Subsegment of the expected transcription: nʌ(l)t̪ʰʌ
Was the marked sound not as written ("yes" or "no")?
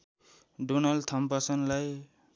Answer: no